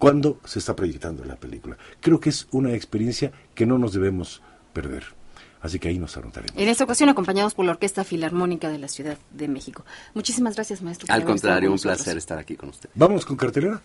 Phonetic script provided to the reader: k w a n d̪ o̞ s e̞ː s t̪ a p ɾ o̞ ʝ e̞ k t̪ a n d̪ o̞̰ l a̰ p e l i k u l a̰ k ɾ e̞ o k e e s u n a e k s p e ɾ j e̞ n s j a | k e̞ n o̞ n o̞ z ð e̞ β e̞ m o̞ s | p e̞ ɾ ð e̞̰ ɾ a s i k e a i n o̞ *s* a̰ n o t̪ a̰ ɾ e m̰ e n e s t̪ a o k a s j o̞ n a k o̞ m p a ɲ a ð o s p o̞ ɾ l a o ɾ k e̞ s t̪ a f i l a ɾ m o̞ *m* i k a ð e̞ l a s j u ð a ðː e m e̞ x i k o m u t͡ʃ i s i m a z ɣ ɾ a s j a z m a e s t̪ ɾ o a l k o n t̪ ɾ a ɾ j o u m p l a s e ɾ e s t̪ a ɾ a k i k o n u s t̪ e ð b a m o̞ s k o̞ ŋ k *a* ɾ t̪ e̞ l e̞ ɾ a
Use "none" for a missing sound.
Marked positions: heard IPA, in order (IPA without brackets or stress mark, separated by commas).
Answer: s, n, a